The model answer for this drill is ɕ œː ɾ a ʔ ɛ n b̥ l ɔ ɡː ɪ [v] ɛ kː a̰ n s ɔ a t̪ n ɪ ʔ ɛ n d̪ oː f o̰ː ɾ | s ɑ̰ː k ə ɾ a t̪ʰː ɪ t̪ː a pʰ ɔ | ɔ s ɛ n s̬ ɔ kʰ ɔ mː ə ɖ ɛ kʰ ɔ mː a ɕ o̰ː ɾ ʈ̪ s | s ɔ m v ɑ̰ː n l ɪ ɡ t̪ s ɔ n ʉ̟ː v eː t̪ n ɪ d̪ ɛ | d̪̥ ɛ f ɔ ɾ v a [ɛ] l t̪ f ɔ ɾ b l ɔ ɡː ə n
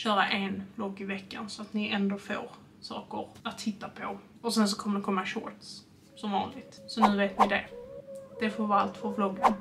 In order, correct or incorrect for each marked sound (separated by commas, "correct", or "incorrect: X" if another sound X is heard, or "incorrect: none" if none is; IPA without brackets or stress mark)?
correct, incorrect: a